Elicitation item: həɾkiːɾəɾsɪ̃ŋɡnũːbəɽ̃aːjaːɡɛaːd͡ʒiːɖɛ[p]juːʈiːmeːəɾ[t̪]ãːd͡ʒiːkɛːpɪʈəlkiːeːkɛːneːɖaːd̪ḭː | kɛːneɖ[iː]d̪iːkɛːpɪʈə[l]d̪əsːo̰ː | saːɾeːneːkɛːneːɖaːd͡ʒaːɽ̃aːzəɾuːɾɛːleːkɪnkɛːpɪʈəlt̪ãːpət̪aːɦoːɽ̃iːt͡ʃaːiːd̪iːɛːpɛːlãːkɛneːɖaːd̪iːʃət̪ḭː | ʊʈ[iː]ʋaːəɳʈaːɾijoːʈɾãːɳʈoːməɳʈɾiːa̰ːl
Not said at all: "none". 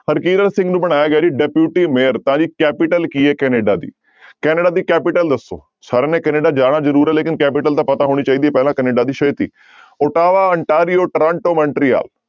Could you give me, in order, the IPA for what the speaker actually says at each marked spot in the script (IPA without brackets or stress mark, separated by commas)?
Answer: p, t̪, aː, l, aː